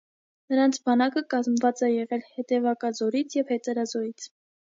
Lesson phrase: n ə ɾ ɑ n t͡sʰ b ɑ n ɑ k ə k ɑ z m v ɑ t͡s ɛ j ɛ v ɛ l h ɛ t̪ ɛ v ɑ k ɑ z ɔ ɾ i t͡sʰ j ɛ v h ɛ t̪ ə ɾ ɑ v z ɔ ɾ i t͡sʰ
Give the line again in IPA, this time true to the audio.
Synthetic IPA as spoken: n ə ɾ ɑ n t͡sʰ b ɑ n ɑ k ə k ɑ z m v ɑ t͡s ɛ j ɛ ʁ ɛ l h ɛ t̪ ɛ v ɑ k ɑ z ɔ ɾ i t͡sʰ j ɛ v h ɛ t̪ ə ɾ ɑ z ɔ ɾ i t͡sʰ